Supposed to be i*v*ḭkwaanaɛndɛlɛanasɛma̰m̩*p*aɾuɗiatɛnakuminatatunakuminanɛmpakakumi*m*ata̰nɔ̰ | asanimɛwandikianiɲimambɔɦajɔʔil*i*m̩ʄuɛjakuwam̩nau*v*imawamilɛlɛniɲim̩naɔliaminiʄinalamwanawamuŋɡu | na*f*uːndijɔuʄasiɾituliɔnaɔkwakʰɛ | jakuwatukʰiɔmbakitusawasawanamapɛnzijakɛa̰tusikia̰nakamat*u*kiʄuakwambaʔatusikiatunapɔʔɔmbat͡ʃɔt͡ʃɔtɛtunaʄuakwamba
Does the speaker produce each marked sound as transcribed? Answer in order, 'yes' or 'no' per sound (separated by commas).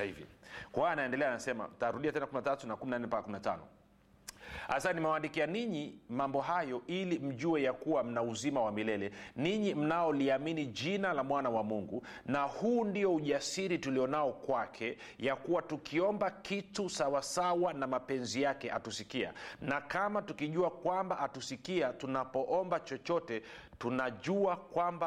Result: yes, no, no, yes, no, no, yes